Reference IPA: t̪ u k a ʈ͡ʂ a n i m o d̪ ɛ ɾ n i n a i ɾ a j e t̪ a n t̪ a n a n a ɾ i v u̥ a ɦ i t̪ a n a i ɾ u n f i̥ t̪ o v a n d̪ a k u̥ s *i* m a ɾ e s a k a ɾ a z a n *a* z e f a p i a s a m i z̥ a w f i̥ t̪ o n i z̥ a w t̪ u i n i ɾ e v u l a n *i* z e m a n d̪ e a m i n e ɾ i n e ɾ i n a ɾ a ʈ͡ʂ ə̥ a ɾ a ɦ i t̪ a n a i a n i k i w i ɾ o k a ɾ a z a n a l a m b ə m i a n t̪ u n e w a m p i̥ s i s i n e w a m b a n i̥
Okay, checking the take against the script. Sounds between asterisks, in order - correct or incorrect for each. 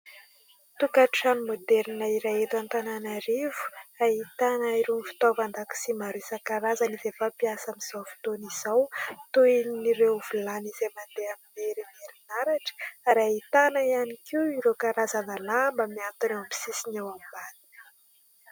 correct, incorrect: i, correct

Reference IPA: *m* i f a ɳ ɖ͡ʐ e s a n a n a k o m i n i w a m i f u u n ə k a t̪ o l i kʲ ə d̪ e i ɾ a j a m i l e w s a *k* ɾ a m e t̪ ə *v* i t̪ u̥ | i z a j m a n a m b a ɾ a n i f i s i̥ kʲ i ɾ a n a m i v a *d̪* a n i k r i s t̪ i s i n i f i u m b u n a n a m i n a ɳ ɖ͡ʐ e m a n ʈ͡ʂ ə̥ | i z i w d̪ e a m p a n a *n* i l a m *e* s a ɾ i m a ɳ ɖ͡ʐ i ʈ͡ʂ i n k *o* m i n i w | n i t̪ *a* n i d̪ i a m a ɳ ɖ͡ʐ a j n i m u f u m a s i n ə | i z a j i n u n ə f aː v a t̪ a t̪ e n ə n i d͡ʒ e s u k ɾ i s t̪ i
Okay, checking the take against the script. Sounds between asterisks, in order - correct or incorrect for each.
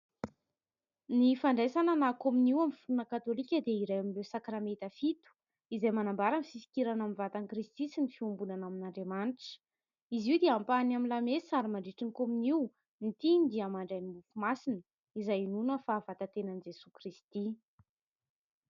incorrect: n, correct, incorrect: f, incorrect: t̪, incorrect: m, correct, correct, incorrect: i

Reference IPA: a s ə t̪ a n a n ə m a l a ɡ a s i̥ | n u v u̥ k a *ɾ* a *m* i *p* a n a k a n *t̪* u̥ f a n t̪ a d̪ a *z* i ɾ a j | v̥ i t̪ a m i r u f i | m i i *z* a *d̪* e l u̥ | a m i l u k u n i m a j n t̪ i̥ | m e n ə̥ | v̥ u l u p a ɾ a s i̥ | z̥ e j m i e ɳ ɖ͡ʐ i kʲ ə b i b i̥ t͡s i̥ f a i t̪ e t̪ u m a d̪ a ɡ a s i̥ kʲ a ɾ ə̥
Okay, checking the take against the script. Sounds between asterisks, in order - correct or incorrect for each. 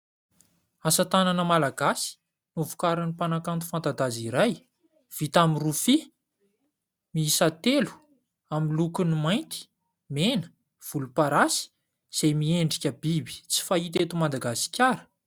correct, incorrect: n, correct, correct, correct, incorrect: s, incorrect: t̪

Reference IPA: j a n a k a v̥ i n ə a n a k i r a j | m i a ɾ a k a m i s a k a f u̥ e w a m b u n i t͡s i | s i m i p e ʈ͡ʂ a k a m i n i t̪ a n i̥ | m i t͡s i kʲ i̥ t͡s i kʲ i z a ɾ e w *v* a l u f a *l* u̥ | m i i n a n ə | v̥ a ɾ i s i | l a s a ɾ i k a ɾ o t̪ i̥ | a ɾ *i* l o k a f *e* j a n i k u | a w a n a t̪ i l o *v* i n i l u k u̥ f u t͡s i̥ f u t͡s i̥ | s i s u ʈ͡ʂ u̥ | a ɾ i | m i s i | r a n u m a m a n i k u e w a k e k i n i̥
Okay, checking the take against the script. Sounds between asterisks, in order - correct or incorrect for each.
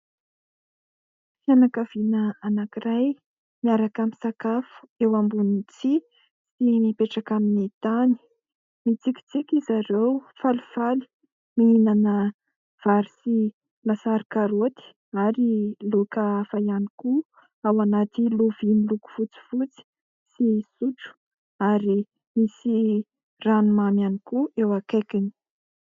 incorrect: f, correct, correct, incorrect: a, correct

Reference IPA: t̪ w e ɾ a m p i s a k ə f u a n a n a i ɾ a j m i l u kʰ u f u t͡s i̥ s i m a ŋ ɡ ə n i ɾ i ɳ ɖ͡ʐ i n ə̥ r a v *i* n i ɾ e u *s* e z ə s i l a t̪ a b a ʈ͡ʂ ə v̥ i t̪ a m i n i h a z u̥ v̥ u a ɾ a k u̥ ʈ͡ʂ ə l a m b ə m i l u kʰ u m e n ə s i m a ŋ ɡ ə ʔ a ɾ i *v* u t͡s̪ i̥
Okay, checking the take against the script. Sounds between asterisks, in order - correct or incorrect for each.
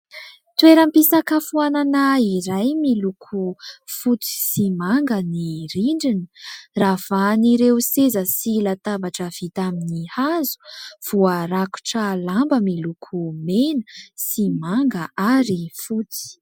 incorrect: a, correct, incorrect: f

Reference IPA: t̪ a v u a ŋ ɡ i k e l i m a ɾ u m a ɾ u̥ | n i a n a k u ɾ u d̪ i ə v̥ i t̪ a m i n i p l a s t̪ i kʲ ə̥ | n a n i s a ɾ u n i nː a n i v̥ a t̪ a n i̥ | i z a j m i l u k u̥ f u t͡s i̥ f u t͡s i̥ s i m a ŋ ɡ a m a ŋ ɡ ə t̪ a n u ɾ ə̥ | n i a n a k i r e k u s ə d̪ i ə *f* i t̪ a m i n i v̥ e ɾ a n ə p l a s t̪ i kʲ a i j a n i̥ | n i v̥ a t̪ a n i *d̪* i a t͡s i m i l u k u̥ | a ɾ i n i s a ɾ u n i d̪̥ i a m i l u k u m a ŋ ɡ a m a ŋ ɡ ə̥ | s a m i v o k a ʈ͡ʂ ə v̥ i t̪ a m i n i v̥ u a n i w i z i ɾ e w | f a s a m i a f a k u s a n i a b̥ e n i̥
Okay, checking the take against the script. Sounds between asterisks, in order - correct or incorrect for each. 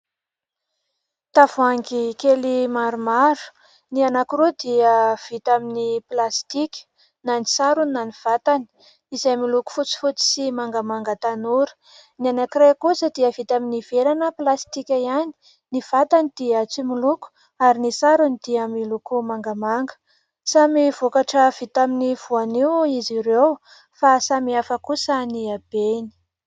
incorrect: v, correct

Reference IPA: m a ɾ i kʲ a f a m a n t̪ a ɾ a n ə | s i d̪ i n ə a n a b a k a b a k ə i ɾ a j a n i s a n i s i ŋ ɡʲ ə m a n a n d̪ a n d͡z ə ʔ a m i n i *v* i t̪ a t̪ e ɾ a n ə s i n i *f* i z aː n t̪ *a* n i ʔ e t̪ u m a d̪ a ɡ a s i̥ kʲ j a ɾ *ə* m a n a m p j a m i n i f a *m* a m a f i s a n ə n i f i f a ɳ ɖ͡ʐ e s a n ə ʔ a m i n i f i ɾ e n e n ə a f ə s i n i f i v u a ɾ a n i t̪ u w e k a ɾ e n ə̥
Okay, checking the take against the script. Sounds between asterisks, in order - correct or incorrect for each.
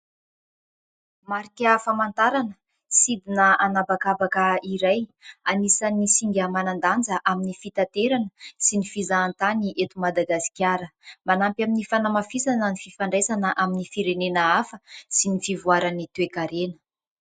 incorrect: f, correct, correct, correct, incorrect: n

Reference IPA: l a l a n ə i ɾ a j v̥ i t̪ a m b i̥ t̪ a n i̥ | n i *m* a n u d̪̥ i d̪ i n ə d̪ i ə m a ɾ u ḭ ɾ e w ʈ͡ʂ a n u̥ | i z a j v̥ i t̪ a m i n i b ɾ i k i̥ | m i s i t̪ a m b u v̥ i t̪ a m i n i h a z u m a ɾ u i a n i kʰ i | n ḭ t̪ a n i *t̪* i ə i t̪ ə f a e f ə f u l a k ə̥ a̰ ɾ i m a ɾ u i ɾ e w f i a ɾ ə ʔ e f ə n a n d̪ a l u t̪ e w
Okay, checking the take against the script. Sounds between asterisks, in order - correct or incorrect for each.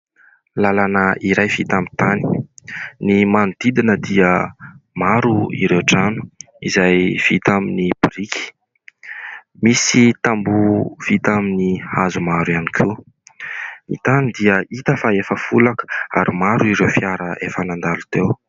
correct, incorrect: d̪

